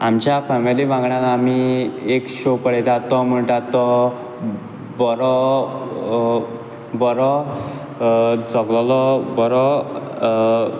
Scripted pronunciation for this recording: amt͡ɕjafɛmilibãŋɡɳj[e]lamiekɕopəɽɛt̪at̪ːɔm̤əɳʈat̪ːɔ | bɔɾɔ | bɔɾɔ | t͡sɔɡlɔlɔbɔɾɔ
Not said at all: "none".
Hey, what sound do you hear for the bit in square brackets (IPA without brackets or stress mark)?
a